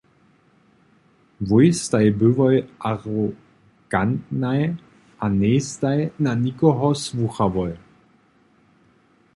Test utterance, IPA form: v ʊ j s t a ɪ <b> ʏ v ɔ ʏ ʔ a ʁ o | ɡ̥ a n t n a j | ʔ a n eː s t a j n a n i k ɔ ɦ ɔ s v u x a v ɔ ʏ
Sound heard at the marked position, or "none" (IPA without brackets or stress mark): b